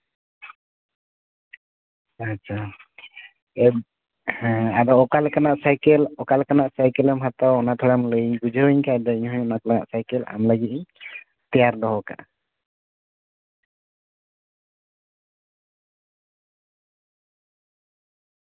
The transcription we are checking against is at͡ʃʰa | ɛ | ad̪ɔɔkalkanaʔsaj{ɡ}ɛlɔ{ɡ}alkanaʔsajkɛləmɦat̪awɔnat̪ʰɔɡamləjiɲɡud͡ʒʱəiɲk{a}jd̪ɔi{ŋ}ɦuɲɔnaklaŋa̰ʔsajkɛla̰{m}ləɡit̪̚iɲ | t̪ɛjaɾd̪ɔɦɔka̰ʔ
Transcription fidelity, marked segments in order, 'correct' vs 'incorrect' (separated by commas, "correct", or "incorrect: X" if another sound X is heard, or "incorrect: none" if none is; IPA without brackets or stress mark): incorrect: k, incorrect: k, correct, incorrect: ɲ, correct